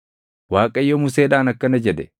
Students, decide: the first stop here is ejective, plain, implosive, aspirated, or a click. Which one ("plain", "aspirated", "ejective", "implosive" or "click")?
ejective